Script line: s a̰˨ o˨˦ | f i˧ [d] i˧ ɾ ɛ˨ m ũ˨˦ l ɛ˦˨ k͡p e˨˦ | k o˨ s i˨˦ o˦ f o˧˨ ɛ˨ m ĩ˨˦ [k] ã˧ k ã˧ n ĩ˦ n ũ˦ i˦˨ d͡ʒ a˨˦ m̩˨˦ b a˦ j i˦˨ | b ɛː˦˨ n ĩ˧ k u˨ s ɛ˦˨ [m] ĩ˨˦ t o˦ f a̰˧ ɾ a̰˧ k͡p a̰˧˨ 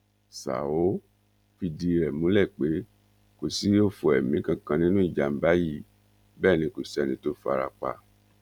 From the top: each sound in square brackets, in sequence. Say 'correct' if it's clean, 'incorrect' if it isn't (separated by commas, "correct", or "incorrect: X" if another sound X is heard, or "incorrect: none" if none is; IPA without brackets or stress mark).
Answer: correct, correct, incorrect: n